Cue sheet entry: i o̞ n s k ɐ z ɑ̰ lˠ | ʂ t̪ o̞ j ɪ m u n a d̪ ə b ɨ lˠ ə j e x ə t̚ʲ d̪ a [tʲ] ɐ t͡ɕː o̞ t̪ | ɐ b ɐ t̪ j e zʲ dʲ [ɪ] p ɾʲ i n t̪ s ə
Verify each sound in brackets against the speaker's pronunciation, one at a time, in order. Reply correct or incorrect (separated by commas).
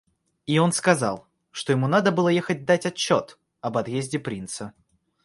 correct, correct